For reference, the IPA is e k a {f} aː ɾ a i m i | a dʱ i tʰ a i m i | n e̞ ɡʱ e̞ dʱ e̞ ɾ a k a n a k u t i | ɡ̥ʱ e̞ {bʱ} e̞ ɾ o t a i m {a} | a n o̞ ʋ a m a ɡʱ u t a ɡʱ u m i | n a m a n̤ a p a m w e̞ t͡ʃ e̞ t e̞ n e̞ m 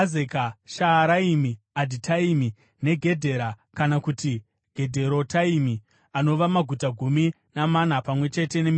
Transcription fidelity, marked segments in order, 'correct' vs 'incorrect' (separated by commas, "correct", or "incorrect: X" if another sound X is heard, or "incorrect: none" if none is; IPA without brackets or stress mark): incorrect: ʃ, incorrect: dʱ, incorrect: i